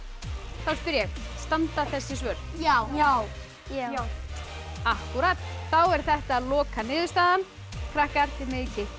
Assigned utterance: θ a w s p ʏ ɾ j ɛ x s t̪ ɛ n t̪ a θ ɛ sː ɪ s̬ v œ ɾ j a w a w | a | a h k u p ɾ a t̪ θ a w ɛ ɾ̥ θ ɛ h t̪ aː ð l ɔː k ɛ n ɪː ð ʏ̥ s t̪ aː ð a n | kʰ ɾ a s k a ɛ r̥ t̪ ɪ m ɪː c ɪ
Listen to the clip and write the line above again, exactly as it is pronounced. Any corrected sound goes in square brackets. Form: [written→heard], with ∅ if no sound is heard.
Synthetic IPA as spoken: θ a w s p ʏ ɾ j ɛ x s t̪ [ɛ→a] n t̪ a θ ɛ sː ɪ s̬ v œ ɾ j a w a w | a | a h k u [p→∅] ɾ a t̪ θ a w ɛ ɾ̥ θ ɛ h t̪ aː ð l ɔː k [ɛ→a] n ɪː ð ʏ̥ s t̪ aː ð a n | kʰ ɾ a [s→h] k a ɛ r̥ t̪ ɪ m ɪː c ɪ

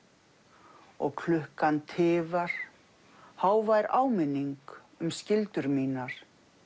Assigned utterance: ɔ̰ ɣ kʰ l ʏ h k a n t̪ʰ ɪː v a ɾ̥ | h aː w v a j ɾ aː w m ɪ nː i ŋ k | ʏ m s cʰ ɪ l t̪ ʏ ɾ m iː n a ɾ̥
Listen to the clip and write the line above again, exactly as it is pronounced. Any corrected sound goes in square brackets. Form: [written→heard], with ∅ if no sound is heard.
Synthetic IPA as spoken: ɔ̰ ɣ kʰ l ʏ h k a n t̪ʰ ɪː v a ɾ̥ | h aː w v a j ɾ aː w m ɪ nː i ŋ k | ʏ m s [cʰ→c] ɪ l t̪ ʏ ɾ m iː n a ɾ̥

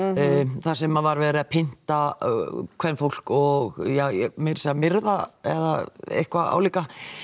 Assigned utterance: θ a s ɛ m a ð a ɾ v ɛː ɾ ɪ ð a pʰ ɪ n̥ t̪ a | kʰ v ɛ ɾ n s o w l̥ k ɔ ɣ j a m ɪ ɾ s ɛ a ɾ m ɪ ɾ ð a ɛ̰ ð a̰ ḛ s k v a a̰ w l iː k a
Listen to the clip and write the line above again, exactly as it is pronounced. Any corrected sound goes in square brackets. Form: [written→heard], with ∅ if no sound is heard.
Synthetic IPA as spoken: θ a s ɛ m a [ð→v] a ɾ v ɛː ɾ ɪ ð a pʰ ɪ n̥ t̪ a | kʰ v ɛ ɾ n [s→f] o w l̥ k ɔ ɣ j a m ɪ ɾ s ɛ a [ɾ→∅] m ɪ ɾ ð a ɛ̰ ð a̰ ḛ [s→h] k v a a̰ w l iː k a

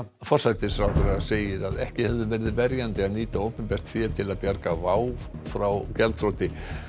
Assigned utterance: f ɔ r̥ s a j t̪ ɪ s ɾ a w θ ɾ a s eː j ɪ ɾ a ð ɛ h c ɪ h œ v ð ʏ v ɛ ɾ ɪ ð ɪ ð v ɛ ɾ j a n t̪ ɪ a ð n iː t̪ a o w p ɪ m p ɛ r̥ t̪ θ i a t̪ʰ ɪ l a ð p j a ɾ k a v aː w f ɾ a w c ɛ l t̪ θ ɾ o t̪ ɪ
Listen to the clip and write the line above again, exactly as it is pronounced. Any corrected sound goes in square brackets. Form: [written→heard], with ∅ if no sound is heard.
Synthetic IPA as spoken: f ɔ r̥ s a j t̪ ɪ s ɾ a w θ ɾ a s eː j ɪ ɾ a ð ɛ h c ɪ h [œ→ɛ] v ð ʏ v ɛ ɾ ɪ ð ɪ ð v ɛ ɾ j a n t̪ ɪ a ð n iː t̪ a o w p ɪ m p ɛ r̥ t̪ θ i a t̪ʰ ɪ l a ð p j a ɾ k a v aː w f ɾ a w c ɛ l t̪ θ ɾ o t̪ ɪ

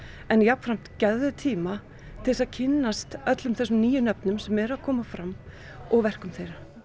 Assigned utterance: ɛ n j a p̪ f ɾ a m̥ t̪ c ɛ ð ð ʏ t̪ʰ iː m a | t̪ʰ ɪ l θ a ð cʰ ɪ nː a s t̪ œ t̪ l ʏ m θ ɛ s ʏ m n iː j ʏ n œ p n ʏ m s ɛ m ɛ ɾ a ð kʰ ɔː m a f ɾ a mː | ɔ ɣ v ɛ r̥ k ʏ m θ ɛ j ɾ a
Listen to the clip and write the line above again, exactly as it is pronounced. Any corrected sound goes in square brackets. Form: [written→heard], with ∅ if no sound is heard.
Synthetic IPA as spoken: ɛ n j a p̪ f ɾ a m̥ t̪ c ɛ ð ð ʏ t̪ʰ iː m a | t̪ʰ ɪ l [θ→s] a ð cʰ ɪ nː a s t̪ œ t̪ l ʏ m θ ɛ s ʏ m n iː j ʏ n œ p n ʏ m s ɛ m ɛ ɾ a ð kʰ ɔː m a f ɾ a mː | ɔ ɣ v ɛ r̥ k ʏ m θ [ɛ→e] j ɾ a

